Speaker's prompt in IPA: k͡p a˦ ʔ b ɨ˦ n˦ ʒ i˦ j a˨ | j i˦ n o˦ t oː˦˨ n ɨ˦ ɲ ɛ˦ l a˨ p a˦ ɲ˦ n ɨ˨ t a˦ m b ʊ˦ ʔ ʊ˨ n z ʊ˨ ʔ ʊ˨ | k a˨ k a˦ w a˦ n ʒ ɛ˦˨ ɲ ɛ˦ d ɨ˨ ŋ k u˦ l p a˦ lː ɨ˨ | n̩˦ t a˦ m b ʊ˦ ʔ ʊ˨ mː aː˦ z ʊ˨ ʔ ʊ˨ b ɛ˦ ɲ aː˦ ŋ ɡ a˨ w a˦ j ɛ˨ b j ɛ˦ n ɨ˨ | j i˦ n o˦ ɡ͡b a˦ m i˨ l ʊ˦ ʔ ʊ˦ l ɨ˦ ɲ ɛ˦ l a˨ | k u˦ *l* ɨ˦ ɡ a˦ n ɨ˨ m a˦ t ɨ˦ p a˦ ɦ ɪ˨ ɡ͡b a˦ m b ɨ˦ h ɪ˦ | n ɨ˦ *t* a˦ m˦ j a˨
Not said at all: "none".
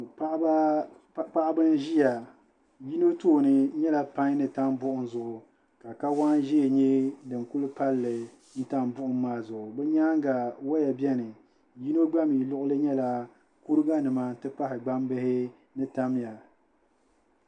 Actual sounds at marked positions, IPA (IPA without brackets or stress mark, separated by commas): ɾ, t